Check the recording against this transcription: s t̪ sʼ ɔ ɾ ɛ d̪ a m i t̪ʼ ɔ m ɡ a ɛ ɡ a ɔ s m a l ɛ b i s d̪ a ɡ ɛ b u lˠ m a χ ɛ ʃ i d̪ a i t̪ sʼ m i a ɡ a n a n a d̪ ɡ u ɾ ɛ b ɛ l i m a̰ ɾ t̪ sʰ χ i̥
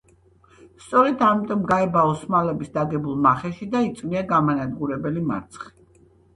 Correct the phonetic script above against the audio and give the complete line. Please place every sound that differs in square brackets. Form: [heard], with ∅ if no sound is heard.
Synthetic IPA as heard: s t̪ sʼ ɔ ɾ ɛ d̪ a m i t̪ʼ ɔ m ɡ a ɛ [b] a ɔ s m a l ɛ b i s d̪ a ɡ ɛ b u lˠ m a χ ɛ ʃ i d̪ a i t̪ sʼ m i a ɡ a [m] a n a d̪ ɡ u ɾ ɛ b ɛ l i m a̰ ɾ t̪ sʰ χ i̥